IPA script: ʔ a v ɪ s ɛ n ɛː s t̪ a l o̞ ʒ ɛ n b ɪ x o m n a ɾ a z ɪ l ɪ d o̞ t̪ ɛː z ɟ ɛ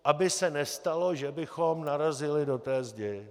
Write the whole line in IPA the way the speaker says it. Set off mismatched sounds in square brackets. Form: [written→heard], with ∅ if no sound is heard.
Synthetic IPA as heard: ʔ a [v→b] ɪ s ɛ n [ɛː→ɛ] s t̪ a l o̞ ʒ ɛ [n→∅] b ɪ x o m n a ɾ a z ɪ l ɪ d o̞ t̪ ɛː z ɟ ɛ